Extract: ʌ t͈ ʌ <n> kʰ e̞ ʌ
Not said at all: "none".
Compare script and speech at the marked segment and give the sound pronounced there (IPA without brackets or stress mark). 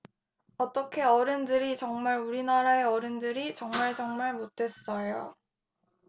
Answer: none